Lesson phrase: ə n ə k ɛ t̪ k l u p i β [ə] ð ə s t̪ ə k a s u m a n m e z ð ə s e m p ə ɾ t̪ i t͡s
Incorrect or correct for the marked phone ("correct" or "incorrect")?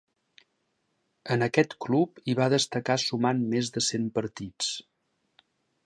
incorrect